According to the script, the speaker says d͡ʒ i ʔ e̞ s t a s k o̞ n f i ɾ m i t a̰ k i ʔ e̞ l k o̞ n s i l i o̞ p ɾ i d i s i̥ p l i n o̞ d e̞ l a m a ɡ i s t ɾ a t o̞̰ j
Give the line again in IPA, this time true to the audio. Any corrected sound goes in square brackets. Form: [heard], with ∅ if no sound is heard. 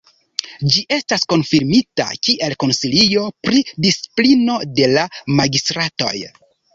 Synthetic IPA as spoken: d͡ʒ i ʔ e̞ s t a s k o̞ n f i ɾ m i t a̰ k i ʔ e̞ l k o̞ n s i l i o̞ p ɾ i d i s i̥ p l i n o̞ d e̞ l a m a ɡ i s t ɾ a t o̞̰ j